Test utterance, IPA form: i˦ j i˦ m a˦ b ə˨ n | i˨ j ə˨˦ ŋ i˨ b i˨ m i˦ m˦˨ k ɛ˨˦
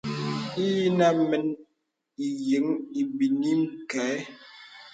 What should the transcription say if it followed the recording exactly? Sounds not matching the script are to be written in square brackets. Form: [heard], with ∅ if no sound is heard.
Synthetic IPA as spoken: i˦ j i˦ [n] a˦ [m] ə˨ n | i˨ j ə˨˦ ŋ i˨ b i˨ [n] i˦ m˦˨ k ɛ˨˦